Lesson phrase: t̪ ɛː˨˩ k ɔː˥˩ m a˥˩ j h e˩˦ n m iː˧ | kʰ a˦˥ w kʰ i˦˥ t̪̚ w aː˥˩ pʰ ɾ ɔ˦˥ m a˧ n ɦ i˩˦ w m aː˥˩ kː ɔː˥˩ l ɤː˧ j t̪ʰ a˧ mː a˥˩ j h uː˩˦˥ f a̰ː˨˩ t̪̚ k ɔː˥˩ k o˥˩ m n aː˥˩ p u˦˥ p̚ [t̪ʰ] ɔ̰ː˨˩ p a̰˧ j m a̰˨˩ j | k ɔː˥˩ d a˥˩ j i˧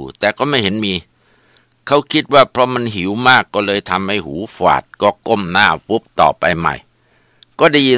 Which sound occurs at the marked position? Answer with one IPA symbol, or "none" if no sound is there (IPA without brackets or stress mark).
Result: t̪